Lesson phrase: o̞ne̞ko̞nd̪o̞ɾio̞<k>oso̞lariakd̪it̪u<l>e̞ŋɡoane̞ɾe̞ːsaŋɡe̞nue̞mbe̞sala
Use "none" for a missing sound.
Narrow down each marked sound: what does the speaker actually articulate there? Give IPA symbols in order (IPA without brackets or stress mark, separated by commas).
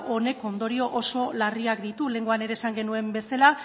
ʔ, l